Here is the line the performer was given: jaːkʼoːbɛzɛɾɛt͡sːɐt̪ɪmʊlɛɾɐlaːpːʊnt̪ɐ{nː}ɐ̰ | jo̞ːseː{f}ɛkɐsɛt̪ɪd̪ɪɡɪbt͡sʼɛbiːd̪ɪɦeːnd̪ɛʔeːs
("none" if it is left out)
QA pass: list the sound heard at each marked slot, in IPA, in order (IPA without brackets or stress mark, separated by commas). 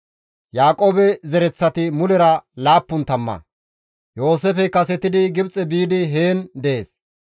mː, f